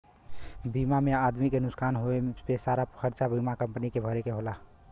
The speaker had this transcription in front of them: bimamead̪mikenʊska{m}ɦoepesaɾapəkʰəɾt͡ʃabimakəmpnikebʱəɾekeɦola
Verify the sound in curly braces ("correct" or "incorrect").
incorrect